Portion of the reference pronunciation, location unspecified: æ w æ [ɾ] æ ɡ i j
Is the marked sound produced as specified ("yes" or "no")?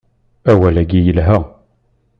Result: no